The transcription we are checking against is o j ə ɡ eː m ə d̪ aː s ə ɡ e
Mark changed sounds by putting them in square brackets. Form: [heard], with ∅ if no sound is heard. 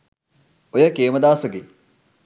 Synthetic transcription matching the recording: o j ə [k] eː m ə d̪ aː s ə ɡ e